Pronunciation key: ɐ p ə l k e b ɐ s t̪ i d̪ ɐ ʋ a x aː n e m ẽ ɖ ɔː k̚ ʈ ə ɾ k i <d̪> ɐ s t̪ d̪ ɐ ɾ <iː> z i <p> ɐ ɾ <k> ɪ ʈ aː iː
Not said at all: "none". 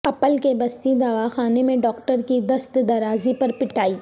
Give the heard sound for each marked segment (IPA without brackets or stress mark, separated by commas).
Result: d̪, aː, p, p